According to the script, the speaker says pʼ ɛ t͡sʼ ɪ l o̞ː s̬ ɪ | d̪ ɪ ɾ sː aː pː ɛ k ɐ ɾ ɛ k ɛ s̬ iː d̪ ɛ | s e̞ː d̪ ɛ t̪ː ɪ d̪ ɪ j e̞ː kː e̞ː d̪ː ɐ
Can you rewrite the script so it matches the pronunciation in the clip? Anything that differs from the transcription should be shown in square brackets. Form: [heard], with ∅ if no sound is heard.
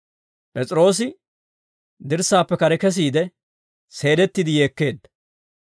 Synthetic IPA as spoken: pʼ ɛ t͡sʼ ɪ [ɾ] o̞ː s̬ ɪ | d̪ ɪ ɾ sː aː pː ɛ k ɐ ɾ ɛ k ɛ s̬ iː d̪ ɛ | s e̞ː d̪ ɛ t̪ː ɪ d̪ ɪ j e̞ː kː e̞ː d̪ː ɐ